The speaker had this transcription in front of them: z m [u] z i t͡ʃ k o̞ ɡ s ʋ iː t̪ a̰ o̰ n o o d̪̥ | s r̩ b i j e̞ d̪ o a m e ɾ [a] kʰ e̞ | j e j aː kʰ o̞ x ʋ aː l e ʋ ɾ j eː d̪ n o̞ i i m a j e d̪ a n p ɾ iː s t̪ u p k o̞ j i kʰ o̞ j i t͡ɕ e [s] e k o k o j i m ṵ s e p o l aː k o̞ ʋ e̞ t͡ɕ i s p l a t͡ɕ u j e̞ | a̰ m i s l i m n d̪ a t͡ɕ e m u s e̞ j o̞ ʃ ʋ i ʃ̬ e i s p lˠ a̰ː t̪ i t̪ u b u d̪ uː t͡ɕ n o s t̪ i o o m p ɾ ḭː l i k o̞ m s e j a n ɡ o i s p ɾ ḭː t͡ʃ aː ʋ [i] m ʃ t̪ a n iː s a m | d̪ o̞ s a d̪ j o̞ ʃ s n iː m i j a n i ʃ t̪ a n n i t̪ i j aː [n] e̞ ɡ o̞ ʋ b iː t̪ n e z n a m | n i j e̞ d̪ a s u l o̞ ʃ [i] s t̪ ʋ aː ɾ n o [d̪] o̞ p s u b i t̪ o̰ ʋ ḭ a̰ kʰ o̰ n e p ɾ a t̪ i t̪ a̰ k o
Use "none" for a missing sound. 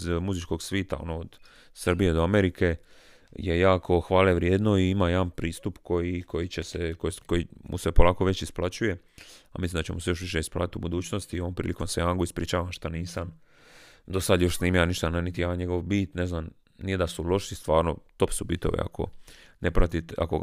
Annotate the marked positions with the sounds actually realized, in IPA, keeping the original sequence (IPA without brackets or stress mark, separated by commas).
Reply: u, i, s, a, ɲ, i, t̪